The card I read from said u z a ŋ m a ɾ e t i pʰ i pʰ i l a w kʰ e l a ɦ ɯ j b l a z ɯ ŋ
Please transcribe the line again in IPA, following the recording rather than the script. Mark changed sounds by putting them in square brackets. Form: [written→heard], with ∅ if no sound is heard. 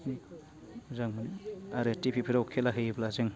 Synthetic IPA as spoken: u z a ŋ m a ɾ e t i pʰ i pʰ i [l→ɾ] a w kʰ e l a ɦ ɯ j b l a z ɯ ŋ